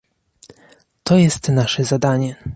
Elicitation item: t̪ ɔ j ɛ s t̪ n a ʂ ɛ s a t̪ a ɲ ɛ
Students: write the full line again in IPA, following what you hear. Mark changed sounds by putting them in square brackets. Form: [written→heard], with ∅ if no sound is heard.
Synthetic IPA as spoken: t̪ ɔ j ɛ s t̪ n a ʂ ɛ [s→z] a [t̪→d̪] a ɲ ɛ